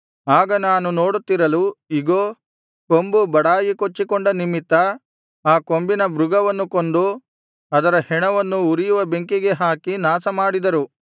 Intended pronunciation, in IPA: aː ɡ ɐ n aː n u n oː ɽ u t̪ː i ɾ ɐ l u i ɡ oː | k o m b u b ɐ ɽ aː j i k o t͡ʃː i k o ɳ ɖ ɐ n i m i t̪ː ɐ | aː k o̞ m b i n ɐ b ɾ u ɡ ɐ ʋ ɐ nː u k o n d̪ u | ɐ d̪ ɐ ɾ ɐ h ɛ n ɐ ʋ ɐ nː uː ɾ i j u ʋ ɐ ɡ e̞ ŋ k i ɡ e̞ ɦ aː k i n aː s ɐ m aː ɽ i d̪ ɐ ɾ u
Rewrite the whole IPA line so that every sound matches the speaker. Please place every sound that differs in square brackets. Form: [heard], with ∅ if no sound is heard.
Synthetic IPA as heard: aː ɡ ɐ n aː n u n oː ɽ u t̪ː i ɾ ɐ l u i ɡ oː | k o m b u b ɐ ɽ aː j i k o t͡ʃː i k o ɳ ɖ ɐ n i m i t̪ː ɐ | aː k o̞ m b i n ɐ b ɾ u ɡ ɐ ʋ ɐ nː u k o n d̪ u | ɐ d̪ ɐ ɾ ɐ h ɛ [ɳ] ɐ ʋ ɐ nː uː ɾ i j u ʋ ɐ [b] e̞ ŋ k i ɡ e̞ ɦ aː k i n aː s ɐ m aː ɽ i d̪ ɐ ɾ u